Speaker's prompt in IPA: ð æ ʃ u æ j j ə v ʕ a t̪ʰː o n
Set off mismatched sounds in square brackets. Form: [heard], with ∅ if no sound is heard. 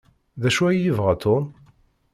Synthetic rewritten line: ð æ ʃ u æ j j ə v [ʁ] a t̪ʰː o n